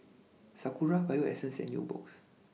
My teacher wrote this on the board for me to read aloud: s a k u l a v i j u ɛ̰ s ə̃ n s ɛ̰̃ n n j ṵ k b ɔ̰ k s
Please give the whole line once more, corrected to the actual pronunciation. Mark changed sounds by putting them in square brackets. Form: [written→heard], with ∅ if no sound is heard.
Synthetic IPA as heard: s a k u [l→ɹ] a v [i→a] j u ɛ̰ s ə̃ n s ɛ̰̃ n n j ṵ [k→∅] b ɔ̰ k s